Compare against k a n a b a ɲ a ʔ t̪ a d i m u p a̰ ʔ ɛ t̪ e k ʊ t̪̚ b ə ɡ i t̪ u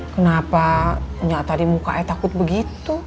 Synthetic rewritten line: k ə n a p a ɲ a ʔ t̪ a d i m u k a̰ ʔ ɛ t̪ a k ʊ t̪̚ b ə ɡ i t̪ u